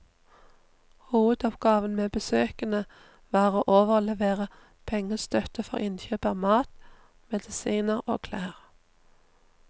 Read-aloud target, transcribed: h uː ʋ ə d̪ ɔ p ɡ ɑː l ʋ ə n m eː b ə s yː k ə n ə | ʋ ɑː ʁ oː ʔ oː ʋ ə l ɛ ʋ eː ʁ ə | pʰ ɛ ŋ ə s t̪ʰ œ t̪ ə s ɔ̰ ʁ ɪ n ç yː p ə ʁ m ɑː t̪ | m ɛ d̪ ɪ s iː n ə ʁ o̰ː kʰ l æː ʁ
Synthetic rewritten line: h uː ʋ ə d̪ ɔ p ɡ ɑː ʋ ə n m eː b ə s øː k ə n ə | ʋ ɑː ʁ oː ʔ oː ʋ ə l ɛ ʋ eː ʁ ə | pʰ ɛ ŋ ə s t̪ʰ œ t̪ ə f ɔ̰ ʁ ɪ n ç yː p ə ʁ m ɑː t̪ | m ɛ d̪ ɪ s iː n ə ʁ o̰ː kʰ l æː ʁ